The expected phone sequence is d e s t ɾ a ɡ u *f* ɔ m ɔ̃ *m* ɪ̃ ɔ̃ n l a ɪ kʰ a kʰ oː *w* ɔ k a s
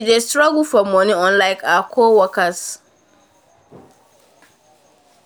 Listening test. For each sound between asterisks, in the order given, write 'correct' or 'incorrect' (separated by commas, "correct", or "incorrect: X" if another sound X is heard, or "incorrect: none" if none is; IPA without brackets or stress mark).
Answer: correct, incorrect: n, correct